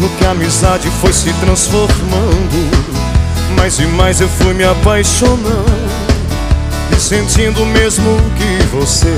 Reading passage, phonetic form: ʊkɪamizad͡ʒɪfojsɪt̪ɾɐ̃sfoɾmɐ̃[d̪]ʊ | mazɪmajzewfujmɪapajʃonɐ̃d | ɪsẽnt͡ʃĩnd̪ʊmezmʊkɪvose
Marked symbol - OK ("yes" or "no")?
yes